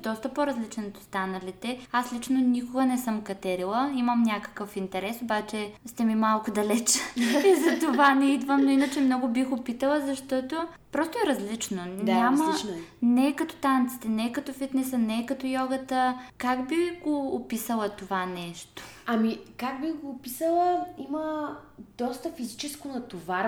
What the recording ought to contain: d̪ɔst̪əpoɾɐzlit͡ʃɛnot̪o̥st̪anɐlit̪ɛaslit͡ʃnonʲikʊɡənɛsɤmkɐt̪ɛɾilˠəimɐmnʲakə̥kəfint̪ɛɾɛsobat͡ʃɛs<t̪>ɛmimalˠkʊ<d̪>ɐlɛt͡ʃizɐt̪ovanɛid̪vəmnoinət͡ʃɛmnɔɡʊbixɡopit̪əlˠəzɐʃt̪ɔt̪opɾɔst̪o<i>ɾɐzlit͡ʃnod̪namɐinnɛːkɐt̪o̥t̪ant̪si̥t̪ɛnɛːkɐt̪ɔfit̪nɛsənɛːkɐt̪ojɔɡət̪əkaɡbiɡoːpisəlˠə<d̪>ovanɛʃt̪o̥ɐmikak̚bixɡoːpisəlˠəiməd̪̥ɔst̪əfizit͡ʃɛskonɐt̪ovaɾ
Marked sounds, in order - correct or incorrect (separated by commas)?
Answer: correct, correct, incorrect, incorrect